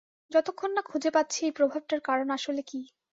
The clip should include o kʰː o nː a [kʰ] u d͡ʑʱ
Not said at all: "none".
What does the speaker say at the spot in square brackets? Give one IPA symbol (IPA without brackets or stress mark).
kʰ